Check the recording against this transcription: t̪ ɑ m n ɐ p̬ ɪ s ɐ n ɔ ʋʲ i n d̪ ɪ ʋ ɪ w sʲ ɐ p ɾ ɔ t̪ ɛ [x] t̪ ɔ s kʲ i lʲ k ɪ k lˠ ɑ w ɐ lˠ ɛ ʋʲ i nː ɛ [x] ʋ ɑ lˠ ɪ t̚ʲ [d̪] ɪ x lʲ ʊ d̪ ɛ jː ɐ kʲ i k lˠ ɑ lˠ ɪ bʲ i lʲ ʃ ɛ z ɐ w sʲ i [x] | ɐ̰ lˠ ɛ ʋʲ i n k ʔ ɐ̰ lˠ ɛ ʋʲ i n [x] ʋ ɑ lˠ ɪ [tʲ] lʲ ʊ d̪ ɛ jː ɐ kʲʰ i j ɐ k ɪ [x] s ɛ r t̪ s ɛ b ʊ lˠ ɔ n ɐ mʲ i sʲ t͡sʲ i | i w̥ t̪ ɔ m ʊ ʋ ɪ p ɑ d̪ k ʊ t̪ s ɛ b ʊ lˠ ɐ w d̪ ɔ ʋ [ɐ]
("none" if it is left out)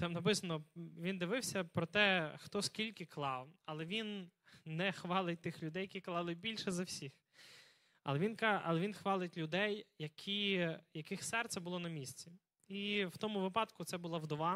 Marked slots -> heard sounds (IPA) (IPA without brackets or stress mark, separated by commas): x, x, t̪, x, x, tʲ, x, ɑ